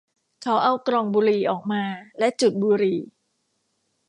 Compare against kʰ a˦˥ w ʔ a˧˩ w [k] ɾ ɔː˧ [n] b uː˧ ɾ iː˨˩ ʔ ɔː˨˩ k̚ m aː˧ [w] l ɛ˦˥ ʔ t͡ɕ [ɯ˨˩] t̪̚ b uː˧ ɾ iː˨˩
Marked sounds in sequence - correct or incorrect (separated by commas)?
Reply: correct, incorrect, incorrect, incorrect